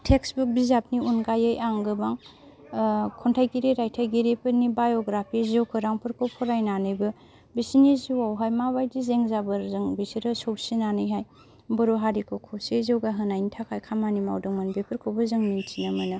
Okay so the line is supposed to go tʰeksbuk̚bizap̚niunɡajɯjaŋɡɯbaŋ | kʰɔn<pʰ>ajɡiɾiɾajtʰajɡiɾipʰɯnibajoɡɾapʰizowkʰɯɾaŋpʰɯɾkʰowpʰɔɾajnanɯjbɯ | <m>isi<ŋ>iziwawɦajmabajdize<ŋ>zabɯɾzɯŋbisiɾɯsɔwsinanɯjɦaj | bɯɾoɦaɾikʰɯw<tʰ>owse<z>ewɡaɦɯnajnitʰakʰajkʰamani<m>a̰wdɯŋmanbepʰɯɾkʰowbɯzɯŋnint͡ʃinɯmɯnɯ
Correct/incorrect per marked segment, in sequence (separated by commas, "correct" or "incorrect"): incorrect, incorrect, incorrect, correct, incorrect, correct, correct